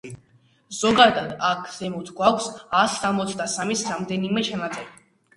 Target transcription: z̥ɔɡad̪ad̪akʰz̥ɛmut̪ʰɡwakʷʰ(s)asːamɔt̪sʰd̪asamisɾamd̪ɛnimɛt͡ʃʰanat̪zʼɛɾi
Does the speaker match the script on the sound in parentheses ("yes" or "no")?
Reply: yes